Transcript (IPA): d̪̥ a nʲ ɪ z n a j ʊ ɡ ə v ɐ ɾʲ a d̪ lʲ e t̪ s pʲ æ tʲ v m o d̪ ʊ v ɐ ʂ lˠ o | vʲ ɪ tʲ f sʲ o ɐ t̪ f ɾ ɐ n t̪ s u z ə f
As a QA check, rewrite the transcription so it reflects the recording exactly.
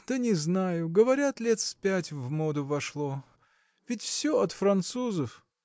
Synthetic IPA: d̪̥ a nʲ ɪ z n a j ʊ ɡ ə v ɐ ɾʲ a t̪ lʲ e t̪ s pʲ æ tʲ v m o d̪ ʊ v ɐ ʂ lˠ o | vʲ ɪ tʲ f sʲ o ɐ t̪ f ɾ ɐ n t̪ s u z ə f